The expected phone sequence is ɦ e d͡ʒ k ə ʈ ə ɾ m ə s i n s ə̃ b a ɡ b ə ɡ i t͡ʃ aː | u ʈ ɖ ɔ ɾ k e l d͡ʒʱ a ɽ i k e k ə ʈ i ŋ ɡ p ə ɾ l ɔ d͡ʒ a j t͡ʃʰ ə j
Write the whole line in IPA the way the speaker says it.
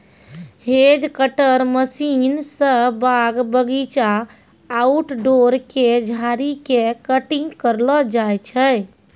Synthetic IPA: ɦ e d͡ʒ k ə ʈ ə ɾ m ə s i n s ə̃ b a ɡ b ə ɡ i t͡ʃ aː | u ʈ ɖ o ɾ k e d͡ʒʱ a ɾ i k e k ə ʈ i ŋ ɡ k ə ɾ l ɔ d͡ʒ a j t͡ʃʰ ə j